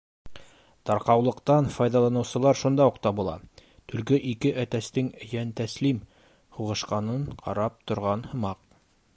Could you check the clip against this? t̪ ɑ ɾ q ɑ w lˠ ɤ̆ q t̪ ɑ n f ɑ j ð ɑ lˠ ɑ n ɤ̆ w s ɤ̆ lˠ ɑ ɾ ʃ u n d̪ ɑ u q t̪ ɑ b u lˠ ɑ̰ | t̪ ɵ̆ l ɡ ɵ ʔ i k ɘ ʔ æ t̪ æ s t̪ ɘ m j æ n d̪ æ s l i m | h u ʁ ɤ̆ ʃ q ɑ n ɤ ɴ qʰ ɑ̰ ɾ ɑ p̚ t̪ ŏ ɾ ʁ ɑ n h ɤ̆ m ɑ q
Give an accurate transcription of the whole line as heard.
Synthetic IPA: t̪ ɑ ɾ q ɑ w lˠ ɤ̆ q t̪ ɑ n f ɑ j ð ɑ lˠ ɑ n ɤ̆ w s ɤ̆ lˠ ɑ ɾ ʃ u n d̪ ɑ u q t̪ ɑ b u lˠ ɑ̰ | t̪ ɵ̆ l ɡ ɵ ʔ i k ɘ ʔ æ t̪ æ s t̪ ɘ ŋ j æ n t̪ æ s l i m | h u ʁ ɤ̆ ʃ q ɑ n ɤ ɴ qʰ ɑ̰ ɾ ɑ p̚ t̪ ŏ ɾ ʁ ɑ n h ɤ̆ m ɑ q